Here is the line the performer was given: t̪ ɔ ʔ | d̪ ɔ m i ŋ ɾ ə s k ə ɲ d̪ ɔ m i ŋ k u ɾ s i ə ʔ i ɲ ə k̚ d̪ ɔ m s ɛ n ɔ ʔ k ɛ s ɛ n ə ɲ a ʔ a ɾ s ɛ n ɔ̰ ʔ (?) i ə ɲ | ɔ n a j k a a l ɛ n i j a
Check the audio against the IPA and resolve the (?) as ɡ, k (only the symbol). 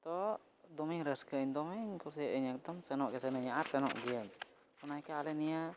ɡ